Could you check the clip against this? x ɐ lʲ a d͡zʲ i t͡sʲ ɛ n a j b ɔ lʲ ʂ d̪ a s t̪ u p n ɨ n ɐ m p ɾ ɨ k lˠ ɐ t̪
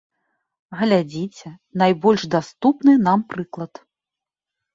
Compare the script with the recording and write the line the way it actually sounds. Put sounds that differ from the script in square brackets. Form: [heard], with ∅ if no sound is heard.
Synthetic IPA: [ɣ] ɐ lʲ a d͡zʲ i t͡sʲ ɛ n a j b ɔ lʲ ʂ d̪ a s t̪ u p n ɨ n [a] m p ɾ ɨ k lˠ ɐ t̪